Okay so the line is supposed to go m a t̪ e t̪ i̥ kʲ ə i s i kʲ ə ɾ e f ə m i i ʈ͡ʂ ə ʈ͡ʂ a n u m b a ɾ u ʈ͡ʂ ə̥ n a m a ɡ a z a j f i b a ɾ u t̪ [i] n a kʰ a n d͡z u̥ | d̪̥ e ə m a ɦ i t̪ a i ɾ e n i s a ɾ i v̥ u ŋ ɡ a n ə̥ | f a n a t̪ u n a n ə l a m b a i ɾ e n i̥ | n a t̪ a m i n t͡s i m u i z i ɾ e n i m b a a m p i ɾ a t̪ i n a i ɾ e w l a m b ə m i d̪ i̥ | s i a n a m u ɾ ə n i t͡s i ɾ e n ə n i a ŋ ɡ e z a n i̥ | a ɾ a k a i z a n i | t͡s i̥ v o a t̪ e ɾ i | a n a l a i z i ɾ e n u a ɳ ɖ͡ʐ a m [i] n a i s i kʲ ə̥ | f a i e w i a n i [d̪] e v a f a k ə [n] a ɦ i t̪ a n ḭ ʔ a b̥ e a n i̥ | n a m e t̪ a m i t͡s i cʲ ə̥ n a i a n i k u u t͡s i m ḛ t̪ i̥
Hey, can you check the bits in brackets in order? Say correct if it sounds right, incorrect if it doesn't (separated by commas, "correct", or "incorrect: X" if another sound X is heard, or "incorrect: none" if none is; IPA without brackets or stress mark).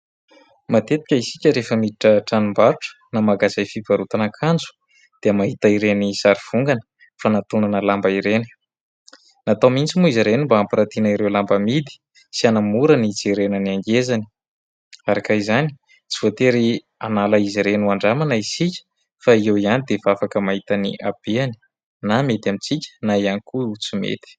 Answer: incorrect: a, incorrect: a, correct, incorrect: m